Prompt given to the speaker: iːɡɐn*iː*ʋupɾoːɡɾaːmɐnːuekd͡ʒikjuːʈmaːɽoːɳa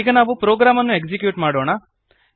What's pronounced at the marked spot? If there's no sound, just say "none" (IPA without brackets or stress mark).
aː